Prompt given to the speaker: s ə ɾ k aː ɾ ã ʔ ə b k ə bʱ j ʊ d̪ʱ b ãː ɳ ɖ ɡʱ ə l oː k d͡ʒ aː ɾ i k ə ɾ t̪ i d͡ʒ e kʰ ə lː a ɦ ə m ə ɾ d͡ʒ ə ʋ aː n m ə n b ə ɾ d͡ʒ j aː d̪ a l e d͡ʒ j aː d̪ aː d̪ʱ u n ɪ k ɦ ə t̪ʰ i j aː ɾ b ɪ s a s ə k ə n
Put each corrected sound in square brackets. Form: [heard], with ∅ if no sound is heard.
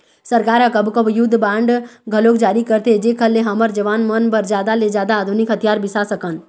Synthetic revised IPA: s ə ɾ k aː ɾ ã [k] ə b k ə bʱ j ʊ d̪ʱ b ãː ɳ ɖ ɡʱ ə l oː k d͡ʒ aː ɾ i k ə ɾ t̪ [e] d͡ʒ e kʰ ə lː [e] ɦ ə m ə ɾ d͡ʒ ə ʋ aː n m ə n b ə ɾ d͡ʒ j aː d̪ a l e d͡ʒ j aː d̪ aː d̪ʱ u n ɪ k ɦ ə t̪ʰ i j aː ɾ b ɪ s a s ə k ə n